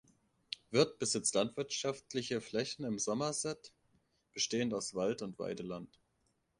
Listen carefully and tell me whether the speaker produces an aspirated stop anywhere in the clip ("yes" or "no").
no